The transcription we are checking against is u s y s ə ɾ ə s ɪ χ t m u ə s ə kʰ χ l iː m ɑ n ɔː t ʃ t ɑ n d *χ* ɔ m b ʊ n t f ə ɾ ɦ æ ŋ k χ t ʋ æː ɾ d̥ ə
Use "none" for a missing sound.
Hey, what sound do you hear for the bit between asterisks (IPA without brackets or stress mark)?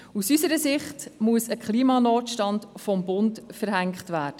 f